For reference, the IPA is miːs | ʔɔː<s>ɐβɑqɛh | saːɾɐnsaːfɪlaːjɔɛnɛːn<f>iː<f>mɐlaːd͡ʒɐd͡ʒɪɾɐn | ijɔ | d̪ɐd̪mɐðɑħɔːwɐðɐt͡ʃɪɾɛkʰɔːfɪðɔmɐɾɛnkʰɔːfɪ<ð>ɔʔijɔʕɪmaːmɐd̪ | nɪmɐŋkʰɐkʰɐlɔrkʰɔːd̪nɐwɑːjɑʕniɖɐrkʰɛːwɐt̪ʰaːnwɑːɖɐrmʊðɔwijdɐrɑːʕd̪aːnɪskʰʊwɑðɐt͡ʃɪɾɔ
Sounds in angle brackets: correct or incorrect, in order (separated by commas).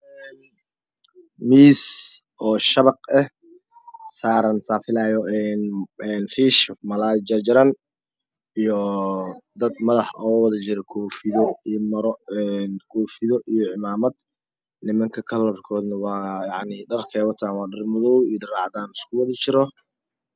incorrect, correct, incorrect, correct